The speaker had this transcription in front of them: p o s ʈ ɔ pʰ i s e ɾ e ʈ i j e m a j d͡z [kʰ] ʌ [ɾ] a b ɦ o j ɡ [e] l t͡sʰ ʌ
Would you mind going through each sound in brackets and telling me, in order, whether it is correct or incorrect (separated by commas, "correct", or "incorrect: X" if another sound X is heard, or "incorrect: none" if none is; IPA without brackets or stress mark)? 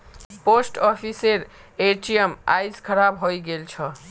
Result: correct, correct, correct